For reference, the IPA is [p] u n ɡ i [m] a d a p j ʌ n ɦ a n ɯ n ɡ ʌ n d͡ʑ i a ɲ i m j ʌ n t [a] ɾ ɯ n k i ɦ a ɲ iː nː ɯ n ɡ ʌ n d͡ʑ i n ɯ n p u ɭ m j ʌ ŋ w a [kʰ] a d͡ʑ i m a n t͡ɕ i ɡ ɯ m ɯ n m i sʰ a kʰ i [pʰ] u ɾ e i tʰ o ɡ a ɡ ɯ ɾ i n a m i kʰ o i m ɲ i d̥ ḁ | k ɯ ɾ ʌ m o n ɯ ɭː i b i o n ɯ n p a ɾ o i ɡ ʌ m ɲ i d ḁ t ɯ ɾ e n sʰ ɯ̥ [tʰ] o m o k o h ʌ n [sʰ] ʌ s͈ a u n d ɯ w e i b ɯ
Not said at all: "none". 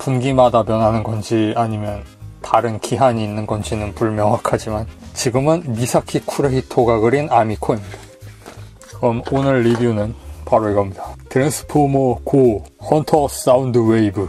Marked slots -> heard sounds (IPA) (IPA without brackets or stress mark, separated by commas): p, m, a, kʰ, kʰ, pʰ, tʰ